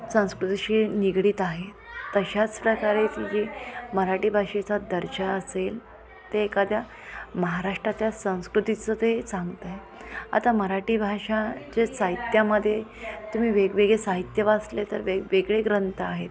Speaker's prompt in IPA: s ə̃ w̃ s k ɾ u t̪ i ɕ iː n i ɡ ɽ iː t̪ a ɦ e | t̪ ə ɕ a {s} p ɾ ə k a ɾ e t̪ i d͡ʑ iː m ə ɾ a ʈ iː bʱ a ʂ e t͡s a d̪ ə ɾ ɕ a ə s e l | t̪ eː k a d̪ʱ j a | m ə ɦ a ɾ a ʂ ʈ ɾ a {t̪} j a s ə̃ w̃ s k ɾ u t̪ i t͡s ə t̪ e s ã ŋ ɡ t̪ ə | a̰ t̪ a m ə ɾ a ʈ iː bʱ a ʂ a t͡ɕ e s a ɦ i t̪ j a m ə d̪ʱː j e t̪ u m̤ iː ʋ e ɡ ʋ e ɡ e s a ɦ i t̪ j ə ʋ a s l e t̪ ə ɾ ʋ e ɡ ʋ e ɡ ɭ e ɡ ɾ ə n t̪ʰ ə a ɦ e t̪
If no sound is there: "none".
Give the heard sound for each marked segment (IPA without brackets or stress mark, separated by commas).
t͡s, t̪